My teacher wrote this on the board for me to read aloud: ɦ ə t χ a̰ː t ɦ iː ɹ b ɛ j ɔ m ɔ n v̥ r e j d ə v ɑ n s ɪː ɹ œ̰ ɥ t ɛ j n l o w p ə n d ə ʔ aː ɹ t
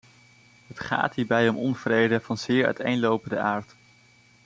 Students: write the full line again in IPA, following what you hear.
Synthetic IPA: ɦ ə t χ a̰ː t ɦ iː ɹ b ɛ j ɔ m ɔ n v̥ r e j d ə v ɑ n z ɪː ɹ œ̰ ɥ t e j n l o w p ə n d ə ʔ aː ɹ t